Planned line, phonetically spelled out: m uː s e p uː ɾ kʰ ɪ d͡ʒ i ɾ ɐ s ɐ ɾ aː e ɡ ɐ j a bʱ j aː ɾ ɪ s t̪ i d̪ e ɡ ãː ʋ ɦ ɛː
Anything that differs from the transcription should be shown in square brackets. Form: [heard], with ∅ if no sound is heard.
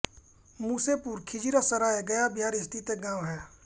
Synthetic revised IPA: m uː s e p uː ɾ kʰ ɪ d͡ʒ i ɾ [a] s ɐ ɾ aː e ɡ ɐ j a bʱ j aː ɾ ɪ s t̪ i [t̪] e ɡ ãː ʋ ɦ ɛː